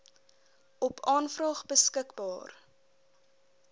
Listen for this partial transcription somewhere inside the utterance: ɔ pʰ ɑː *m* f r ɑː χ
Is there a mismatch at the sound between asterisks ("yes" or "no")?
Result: yes